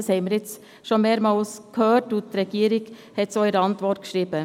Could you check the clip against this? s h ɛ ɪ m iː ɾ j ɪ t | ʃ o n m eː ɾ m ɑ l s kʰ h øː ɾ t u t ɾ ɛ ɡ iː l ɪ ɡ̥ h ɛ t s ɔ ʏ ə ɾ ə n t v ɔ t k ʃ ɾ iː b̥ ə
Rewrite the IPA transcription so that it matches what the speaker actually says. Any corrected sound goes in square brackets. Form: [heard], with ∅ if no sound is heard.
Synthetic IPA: s h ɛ ɪ m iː ɾ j ɪ [t͡s] | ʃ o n m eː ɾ m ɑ l s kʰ h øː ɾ t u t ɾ ɛ ɡ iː [ɾ] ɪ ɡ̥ h ɛ t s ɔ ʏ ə ɾ [ɑ] n t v ɔ t k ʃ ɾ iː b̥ ə